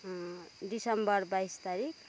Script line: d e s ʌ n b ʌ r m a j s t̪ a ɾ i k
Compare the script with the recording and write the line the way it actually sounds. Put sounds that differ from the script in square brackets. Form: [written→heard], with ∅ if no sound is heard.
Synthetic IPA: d [e→i] s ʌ [n→m] b ʌ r [m→b] a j s t̪ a ɾ i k